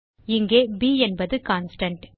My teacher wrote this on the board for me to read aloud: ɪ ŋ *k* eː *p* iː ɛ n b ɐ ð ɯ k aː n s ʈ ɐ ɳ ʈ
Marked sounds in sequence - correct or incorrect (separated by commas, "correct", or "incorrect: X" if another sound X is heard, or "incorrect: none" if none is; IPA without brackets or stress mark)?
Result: incorrect: ɡ, incorrect: b